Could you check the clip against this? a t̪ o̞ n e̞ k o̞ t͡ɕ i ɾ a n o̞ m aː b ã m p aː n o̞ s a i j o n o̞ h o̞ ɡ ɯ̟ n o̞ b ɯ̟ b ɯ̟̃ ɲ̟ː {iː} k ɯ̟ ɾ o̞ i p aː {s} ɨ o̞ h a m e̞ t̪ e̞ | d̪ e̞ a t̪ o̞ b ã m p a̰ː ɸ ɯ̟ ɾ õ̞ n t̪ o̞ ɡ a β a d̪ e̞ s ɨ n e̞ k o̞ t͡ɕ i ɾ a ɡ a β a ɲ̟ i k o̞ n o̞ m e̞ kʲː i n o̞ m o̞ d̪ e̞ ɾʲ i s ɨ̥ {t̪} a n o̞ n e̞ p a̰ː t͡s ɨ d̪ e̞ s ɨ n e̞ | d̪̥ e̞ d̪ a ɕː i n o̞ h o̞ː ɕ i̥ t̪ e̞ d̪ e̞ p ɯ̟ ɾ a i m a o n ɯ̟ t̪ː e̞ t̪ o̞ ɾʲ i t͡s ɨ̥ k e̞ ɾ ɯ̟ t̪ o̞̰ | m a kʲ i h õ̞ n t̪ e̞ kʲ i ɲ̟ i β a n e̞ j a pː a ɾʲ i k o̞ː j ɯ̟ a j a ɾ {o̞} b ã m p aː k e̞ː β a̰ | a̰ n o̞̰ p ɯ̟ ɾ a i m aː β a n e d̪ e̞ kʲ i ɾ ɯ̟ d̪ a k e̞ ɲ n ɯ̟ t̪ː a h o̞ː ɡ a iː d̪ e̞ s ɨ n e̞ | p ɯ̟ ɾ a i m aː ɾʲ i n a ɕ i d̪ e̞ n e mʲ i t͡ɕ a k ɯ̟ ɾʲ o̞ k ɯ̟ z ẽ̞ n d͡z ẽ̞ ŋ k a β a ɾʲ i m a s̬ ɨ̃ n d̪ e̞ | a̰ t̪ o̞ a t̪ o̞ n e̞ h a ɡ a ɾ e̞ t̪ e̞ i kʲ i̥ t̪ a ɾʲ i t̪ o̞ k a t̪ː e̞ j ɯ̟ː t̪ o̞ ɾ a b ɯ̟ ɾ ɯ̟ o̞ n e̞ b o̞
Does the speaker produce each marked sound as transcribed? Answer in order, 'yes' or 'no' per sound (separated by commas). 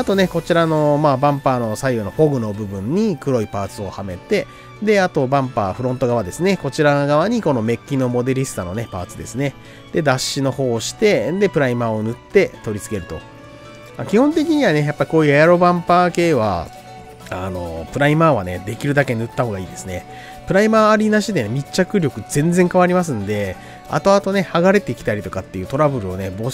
no, no, yes, yes